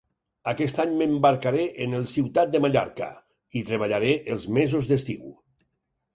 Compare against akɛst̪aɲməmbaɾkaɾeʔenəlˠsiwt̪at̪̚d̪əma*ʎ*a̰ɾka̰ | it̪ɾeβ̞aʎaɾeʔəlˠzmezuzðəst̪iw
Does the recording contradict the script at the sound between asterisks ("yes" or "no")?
no